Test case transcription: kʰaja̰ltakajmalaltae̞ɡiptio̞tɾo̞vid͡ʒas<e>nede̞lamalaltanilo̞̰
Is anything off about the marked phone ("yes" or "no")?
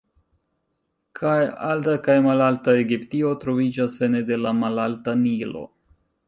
no